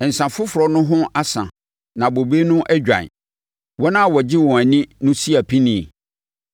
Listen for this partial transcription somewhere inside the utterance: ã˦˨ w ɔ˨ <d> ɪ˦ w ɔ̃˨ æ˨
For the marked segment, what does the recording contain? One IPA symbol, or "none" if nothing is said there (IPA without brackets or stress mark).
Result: d͡ʑ